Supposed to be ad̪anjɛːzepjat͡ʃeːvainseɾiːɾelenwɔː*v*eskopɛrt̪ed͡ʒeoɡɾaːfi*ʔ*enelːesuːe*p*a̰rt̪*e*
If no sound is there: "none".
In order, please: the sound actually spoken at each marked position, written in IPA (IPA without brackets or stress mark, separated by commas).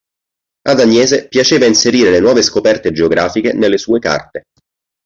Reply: v, k, k, e